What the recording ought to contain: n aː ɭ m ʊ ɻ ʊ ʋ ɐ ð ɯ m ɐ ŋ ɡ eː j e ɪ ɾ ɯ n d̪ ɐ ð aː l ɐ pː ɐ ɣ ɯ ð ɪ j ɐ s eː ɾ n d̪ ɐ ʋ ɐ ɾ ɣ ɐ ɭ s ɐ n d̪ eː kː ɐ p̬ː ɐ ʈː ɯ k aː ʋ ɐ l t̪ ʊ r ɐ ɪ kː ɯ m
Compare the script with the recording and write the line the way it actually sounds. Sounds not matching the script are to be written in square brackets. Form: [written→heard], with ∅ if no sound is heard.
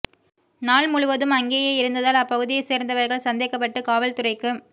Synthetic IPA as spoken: n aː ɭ m ʊ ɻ ʊ ʋ ɐ ð ɯ m ɐ ŋ ɡ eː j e ɪ ɾ ɯ n d̪ ɐ ð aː l ɐ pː ɐ ɣ ɯ ð ɪ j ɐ s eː ɾ n d̪ ɐ ʋ ɐ ɾ ɣ ɐ ɭ s ɐ n d̪ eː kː ɐ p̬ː ɐ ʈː ɯ k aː ʋ ɐ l t̪ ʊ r ɐ ɪ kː ɯ m